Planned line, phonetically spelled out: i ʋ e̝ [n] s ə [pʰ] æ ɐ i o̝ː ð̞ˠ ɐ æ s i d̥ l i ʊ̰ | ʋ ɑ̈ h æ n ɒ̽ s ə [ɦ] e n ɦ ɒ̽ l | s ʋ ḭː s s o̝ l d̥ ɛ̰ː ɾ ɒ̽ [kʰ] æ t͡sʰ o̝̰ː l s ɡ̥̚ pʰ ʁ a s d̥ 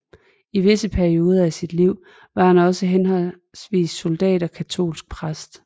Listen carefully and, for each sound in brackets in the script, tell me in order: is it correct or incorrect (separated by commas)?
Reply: incorrect, correct, correct, correct